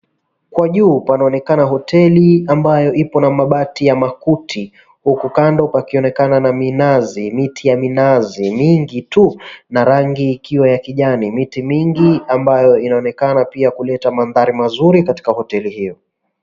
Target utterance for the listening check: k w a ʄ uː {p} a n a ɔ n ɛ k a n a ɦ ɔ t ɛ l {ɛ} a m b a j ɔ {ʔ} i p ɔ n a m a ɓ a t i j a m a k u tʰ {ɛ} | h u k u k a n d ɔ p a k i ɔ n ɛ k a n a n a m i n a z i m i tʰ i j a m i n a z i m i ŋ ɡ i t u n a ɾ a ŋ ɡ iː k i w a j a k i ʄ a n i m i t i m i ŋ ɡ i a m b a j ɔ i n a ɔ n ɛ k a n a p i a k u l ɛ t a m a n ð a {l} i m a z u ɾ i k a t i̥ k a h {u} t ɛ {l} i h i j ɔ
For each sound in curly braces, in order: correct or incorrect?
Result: correct, incorrect: i, correct, incorrect: i, incorrect: ɾ, incorrect: ɔ, correct

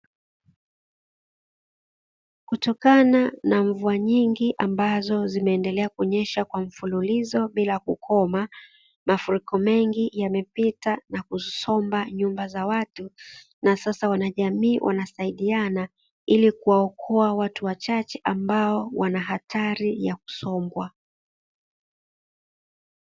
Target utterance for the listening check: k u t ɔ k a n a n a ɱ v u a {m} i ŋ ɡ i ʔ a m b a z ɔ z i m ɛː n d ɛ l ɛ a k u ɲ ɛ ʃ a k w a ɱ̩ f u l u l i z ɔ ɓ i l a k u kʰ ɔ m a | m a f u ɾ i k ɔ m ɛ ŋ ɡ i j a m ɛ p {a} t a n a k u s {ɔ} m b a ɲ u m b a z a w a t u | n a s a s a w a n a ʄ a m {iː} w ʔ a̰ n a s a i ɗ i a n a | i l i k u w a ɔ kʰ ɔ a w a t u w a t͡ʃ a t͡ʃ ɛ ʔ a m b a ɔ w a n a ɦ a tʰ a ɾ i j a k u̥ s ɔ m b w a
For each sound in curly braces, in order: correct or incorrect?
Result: incorrect: ɲ, incorrect: i, correct, correct

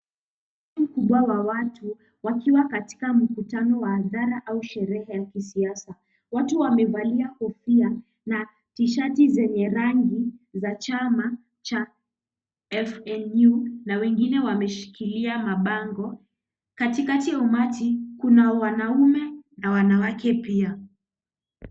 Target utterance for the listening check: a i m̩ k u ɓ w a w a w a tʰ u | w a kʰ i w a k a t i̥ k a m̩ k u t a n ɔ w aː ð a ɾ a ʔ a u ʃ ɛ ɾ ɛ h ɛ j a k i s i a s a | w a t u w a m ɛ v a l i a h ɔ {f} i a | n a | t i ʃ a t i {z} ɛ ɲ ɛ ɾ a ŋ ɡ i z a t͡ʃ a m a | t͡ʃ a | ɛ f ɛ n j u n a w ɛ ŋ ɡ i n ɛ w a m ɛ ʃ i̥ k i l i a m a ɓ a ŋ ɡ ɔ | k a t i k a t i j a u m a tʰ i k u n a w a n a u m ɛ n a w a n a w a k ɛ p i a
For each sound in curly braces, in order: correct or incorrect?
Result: correct, correct

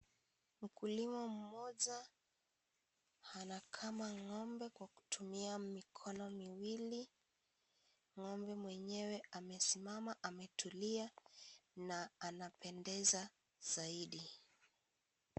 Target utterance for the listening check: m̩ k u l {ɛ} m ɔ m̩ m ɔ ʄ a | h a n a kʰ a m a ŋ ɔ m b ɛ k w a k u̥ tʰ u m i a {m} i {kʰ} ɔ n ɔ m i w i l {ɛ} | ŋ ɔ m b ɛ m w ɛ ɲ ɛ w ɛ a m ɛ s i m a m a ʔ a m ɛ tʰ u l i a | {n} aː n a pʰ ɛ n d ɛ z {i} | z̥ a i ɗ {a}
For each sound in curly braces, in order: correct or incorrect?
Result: incorrect: i, correct, correct, incorrect: i, correct, incorrect: a, incorrect: i

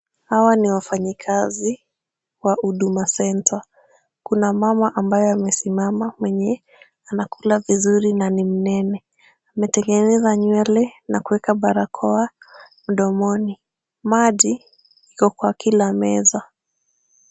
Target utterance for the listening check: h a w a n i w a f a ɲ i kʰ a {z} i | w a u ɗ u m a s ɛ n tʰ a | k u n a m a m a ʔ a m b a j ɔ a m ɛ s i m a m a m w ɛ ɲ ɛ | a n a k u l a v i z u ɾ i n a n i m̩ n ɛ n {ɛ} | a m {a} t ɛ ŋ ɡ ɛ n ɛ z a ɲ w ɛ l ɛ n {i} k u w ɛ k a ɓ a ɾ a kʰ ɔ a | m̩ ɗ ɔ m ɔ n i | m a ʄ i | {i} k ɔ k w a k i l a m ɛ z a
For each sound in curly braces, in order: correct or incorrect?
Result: correct, correct, incorrect: ɛ, incorrect: a, correct

